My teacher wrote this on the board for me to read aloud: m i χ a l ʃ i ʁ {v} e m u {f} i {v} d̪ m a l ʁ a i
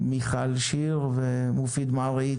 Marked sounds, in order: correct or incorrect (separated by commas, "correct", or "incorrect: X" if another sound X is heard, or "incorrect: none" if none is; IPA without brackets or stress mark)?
correct, correct, incorrect: none